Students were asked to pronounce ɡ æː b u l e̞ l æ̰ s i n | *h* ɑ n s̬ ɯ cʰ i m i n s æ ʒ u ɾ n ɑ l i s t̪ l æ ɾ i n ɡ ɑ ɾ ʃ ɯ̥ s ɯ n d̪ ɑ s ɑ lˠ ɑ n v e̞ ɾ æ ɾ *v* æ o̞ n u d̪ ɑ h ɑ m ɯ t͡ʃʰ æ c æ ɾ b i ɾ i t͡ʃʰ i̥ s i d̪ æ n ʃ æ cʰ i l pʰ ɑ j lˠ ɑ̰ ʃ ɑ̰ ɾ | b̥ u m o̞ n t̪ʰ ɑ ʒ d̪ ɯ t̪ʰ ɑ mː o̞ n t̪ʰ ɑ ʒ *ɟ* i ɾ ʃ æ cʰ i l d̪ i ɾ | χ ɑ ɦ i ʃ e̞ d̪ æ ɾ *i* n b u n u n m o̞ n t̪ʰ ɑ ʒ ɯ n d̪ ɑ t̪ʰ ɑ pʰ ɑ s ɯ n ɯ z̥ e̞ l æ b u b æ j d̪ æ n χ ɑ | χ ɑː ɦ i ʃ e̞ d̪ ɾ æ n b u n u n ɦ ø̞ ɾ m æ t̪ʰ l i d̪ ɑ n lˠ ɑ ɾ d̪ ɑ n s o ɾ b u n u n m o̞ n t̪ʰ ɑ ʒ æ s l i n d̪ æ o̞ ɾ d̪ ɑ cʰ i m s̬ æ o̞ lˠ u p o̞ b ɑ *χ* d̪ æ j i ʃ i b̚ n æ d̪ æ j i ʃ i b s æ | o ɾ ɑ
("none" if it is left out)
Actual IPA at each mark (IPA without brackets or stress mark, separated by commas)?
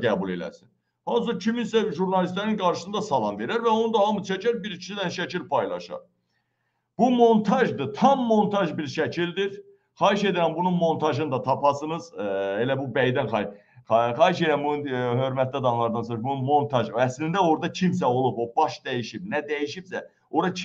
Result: h, v, b, æ, ʃ